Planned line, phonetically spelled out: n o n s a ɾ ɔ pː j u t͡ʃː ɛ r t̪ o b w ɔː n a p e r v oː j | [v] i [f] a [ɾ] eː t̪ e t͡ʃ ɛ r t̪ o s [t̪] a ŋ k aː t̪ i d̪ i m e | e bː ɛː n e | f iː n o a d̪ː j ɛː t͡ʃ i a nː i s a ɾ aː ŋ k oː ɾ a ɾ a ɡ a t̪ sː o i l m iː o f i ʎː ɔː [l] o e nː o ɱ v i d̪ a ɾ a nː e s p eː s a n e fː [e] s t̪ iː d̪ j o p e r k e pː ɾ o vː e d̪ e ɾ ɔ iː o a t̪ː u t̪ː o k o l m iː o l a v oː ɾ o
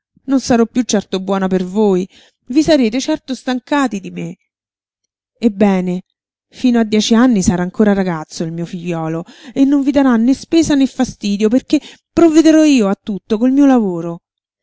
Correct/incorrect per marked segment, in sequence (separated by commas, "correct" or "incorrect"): correct, incorrect, correct, correct, correct, incorrect